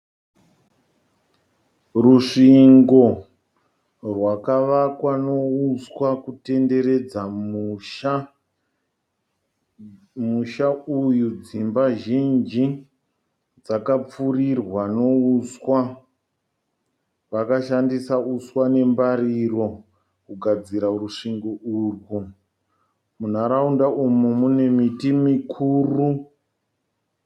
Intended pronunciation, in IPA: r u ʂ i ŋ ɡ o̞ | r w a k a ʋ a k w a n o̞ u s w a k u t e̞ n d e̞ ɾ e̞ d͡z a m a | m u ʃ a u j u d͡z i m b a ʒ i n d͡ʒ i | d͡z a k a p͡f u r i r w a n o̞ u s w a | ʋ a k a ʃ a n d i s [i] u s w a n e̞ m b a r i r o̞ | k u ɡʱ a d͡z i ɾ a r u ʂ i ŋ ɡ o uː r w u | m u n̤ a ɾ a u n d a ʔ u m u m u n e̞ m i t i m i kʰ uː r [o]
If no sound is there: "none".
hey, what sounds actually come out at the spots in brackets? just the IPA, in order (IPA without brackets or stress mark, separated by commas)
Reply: a, u